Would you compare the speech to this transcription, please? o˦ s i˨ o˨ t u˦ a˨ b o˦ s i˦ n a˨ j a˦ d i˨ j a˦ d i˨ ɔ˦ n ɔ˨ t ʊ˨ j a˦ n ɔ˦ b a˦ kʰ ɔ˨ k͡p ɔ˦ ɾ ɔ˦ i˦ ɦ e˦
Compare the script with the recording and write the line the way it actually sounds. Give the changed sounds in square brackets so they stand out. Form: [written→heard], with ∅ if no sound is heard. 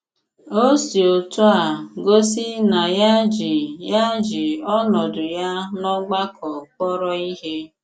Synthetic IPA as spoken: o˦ s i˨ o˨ t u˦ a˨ [b→ɡ] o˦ s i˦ n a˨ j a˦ [d→d͡ʒ] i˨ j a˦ [d→d͡ʒ] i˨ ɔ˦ n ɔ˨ [t→d] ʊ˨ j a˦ n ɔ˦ [b→ɡ͡b] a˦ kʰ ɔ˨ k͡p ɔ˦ ɾ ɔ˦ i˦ ɦ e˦